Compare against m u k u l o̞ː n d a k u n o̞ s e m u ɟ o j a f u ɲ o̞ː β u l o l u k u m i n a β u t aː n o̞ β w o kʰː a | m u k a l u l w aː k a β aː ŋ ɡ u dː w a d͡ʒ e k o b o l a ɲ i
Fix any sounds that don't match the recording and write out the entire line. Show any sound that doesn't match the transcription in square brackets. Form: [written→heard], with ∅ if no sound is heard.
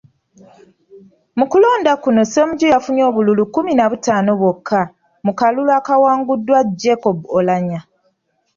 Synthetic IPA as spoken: m u k u l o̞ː n d a k u n o̞ s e m u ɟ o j a f u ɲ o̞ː β u l [o→u] l u k u m i n a β u t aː n o̞ β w o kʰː a | m u k a l u l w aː k a [β→w] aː ŋ ɡ u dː w a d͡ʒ e k o b o l a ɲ [i→a]